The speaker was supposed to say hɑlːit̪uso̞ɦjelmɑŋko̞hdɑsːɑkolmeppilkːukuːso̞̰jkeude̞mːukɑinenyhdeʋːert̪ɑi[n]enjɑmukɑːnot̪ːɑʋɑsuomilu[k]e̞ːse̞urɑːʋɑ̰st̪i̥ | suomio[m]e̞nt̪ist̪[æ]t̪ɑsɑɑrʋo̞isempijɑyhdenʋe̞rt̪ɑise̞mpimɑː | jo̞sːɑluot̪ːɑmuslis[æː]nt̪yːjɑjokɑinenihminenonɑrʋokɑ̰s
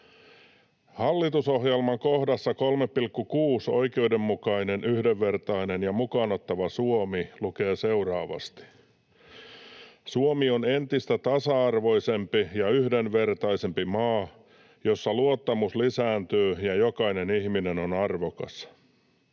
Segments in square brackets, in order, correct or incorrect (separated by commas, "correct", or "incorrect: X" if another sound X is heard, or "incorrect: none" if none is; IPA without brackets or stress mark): correct, correct, incorrect: n, correct, correct